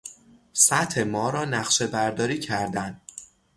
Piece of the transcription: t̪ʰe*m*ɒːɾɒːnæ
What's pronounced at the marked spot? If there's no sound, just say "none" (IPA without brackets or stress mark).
m